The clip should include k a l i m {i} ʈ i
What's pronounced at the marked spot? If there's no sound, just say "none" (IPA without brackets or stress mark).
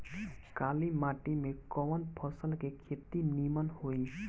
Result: a